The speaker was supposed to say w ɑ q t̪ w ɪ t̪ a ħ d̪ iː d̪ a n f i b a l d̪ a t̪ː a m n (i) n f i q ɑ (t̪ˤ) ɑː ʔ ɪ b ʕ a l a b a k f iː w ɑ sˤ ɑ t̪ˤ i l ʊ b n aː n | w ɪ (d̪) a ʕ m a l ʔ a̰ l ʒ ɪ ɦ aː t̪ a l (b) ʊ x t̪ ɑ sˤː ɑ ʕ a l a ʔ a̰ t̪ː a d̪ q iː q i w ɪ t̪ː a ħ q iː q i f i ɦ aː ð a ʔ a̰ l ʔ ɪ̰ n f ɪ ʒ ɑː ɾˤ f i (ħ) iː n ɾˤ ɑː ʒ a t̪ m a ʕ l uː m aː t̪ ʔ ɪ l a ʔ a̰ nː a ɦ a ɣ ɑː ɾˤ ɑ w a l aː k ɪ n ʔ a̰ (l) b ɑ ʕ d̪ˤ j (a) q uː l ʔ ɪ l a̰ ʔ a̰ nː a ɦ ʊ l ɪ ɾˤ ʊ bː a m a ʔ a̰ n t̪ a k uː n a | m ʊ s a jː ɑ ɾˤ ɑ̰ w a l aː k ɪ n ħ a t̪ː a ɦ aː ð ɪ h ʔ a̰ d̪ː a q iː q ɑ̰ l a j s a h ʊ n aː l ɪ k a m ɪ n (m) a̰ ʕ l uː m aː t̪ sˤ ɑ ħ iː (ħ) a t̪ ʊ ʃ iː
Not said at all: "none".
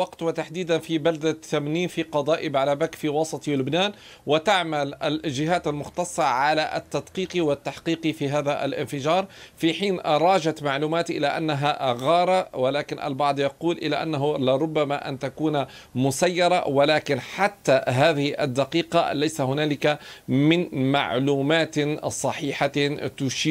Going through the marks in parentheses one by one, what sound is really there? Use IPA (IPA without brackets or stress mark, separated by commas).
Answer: iː, d̪ˤ, t̪, m, ħ, l, ɑ, m, ħ